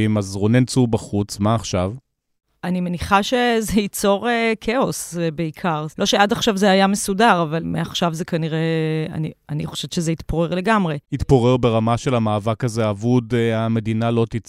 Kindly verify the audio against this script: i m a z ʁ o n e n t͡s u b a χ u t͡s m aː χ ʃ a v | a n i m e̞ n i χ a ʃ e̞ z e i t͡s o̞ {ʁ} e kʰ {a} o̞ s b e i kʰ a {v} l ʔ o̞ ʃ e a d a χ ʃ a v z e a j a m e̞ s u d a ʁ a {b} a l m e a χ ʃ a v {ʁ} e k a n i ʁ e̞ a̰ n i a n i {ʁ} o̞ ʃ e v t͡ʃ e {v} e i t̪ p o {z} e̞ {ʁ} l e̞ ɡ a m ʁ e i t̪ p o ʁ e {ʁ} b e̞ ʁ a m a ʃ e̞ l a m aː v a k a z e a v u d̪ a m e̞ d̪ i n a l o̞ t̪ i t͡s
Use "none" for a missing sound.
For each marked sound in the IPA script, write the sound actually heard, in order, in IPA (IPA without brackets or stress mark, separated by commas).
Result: ʁ, e, ʁ, v, z, χ, z, ʁ, ʁ, ʁ